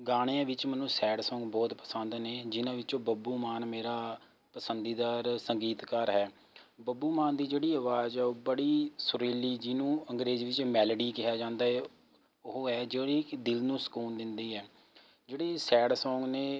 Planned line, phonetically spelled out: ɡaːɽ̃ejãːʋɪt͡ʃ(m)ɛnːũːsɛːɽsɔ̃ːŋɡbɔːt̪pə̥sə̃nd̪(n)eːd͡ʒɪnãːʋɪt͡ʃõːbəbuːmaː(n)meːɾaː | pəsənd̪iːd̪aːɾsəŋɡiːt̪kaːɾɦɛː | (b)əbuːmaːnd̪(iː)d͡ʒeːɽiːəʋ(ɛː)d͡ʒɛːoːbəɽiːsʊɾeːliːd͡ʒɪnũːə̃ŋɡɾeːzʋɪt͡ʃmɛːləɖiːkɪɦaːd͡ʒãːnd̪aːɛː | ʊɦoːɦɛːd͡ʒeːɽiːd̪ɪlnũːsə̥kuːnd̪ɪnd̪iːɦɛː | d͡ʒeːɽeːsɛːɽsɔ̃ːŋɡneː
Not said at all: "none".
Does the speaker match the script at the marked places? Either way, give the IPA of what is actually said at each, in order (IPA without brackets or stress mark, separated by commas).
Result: m, n, n, b, iː, aː